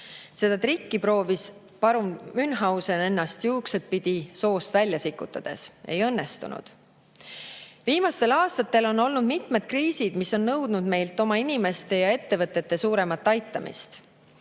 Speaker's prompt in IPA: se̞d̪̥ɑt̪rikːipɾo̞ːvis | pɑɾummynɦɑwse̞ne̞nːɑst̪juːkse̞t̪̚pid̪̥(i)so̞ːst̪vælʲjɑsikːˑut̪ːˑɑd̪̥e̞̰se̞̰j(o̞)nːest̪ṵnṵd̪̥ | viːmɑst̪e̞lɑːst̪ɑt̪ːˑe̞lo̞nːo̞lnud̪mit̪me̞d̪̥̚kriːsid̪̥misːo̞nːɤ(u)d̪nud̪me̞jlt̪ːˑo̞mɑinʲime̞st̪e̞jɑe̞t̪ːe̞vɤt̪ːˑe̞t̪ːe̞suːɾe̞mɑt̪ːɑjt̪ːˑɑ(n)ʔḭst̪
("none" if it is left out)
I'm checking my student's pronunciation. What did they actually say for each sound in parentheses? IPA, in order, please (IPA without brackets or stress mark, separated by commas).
i, ɤ̞, w, m